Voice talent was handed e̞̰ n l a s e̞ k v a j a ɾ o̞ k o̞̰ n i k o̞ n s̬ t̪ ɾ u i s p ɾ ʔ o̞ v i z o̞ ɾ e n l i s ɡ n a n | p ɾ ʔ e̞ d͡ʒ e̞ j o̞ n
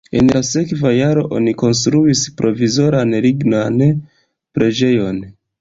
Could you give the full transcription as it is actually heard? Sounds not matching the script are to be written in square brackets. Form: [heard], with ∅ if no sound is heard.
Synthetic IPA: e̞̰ n l a s e̞ k v a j a ɾ o̞ [ʔ] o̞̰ n i k o̞ n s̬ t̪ ɾ u i s p ɾ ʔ o̞ v i z o̞ ɾ [a] n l i [∅] ɡ n a n | p ɾ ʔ e̞ d͡ʒ e̞ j o̞ n